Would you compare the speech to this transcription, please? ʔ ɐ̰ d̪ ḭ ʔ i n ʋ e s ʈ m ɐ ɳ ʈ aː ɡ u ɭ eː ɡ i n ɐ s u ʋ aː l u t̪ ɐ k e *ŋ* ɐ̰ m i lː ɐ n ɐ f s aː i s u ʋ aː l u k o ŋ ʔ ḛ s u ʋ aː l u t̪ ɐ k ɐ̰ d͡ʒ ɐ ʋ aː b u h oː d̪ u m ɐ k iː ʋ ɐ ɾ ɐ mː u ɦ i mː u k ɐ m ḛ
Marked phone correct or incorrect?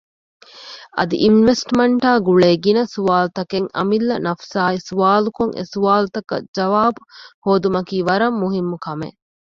correct